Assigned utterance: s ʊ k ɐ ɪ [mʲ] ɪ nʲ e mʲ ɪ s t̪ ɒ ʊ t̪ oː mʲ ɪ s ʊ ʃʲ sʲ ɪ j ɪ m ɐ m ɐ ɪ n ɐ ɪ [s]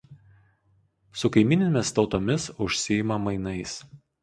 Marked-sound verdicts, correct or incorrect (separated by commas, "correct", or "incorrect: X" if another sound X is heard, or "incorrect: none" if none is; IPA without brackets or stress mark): correct, correct